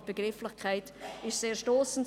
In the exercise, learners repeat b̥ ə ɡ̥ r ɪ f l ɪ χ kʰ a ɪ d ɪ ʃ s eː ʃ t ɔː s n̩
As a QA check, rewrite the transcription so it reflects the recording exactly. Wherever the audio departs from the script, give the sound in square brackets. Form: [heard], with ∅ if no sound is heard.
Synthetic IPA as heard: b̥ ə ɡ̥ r ɪ f l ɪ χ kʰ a ɪ [t] ɪ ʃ s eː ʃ t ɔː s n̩

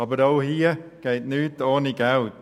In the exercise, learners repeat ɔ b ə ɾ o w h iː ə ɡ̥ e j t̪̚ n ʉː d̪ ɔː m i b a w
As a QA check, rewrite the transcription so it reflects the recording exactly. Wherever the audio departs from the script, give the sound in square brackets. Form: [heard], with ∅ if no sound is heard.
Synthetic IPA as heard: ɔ b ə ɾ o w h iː ə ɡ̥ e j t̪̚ n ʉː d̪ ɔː [n] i [ɡ] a w

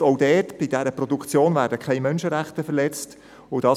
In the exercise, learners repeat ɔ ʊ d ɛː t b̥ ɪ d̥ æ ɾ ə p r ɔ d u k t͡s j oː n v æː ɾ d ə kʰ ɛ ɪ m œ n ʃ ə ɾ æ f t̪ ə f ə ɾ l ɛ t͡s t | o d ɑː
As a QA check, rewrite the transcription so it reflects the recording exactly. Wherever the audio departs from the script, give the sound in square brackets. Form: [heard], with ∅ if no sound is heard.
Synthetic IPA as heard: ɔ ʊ d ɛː t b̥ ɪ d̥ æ ɾ ə p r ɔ d u k t͡s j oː n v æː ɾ d ə kʰ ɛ ɪ m œ n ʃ ə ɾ æ [χ] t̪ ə f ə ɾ l ɛ t͡s t | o d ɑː

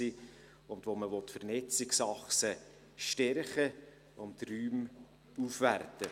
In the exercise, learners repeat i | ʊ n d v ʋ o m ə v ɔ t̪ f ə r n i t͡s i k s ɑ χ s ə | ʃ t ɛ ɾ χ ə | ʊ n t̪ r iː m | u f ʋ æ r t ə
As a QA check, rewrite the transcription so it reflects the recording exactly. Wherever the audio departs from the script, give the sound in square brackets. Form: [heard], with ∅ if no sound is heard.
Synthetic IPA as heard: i | ʊ n d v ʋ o m ə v ɔ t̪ f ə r n [ɛ] t͡s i k s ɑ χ s ə | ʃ t ɛ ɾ χ ə | ʊ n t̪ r [yː] m | u f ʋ æ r t ə

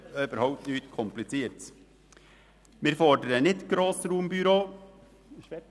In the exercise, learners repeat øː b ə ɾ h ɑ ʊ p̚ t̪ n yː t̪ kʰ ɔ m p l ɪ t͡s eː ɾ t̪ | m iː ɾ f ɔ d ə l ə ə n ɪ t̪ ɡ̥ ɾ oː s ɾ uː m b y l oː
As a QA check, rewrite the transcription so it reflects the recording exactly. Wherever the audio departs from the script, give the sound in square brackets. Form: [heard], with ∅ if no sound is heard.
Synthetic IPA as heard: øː b ə ɾ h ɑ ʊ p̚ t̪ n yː t̪ kʰ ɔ m p l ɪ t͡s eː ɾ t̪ | m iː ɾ f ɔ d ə [ɾ] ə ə n ɪ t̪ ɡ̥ ɾ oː s ɾ uː m b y [ɾ] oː

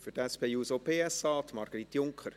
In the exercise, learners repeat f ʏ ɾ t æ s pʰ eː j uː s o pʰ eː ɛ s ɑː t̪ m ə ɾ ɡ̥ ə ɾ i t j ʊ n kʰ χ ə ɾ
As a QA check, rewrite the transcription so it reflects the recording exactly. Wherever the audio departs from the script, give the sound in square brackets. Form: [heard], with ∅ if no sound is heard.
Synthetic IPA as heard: f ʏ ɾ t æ s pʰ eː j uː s o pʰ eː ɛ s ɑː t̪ m [ɑ] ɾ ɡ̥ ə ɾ i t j ʊ [ŋ] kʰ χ ə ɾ

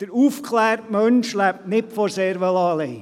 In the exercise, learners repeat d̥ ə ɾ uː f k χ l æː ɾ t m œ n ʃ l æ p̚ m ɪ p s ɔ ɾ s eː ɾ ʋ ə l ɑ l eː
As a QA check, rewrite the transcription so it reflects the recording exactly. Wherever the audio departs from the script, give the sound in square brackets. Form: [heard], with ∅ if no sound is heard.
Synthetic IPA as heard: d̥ ə ɾ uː f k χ l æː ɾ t m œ n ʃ l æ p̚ [n] ɪ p [f] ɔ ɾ s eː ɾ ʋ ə l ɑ l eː

